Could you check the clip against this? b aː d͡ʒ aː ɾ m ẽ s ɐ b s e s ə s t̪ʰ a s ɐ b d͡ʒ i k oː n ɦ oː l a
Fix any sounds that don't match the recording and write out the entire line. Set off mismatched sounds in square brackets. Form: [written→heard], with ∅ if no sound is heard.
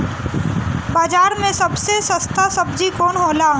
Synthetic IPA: b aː d͡ʒ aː ɾ m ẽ s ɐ b s e s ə s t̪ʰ a s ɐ b d͡ʒ i k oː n ɦ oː l a